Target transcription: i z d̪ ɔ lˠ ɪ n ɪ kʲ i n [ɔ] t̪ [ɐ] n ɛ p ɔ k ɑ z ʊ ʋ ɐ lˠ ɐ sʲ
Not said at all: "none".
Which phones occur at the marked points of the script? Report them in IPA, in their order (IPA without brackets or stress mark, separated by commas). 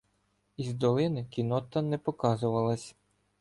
ɔ, ɐ